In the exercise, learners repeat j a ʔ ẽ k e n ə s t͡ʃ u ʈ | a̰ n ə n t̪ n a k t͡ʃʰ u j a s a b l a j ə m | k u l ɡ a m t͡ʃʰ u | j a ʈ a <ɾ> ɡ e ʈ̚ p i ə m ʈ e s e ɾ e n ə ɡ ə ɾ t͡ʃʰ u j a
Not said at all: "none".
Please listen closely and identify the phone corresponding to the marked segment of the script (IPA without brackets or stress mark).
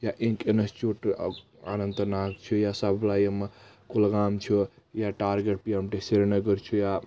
ɾ